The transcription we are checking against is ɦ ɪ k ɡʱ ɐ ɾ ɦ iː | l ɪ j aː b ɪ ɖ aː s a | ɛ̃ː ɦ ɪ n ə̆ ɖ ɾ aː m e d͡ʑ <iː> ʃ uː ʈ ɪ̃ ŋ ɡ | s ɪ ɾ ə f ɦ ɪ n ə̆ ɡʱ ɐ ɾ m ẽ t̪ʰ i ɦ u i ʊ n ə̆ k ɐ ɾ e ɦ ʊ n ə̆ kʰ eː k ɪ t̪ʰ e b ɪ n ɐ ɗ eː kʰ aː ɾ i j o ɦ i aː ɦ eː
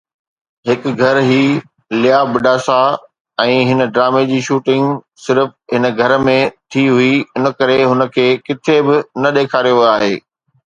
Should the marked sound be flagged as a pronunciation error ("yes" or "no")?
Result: no